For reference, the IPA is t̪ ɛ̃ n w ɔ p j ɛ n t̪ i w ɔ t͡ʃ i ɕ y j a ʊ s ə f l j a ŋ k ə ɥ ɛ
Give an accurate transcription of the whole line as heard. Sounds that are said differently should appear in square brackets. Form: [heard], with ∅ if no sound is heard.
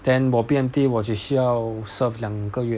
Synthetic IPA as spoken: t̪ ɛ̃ n w ɔ p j ɛ n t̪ i w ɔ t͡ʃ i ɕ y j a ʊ s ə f l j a ŋ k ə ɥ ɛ